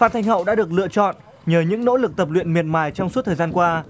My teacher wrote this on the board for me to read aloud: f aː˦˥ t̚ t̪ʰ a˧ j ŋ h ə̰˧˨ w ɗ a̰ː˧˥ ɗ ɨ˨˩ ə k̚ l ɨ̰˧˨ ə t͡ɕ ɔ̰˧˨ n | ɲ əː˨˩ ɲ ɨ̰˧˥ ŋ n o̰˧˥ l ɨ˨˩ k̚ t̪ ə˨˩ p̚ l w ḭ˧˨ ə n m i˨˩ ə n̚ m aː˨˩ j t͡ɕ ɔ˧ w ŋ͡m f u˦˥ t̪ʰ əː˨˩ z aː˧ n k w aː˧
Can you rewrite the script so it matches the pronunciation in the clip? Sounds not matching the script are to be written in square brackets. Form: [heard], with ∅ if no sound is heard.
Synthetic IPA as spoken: f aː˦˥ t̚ t̪ʰ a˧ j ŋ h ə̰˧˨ w ɗ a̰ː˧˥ ɗ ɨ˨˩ ə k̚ l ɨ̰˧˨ ə t͡ɕ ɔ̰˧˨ n | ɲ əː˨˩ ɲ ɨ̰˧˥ ŋ n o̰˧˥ l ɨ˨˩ k̚ t̪ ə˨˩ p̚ l w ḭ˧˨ ə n m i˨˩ ə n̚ m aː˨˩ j t͡ɕ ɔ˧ w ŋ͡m [s] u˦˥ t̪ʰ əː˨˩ z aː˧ n k w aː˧